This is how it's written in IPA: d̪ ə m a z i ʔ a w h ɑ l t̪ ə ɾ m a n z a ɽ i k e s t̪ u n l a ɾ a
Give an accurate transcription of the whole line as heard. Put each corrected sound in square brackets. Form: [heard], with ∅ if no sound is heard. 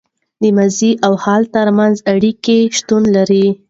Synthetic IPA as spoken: d̪ ə m a z i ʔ a w h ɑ l t̪ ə ɾ m a n z a ɽ i k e [ʃ] t̪ u n l a ɾ [i]